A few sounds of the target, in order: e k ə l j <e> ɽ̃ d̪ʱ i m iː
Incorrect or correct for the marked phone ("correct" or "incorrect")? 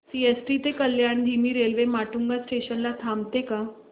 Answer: incorrect